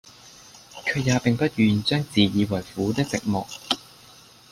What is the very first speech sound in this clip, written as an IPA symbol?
kʰ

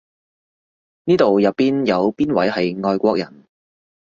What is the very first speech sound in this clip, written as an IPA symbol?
n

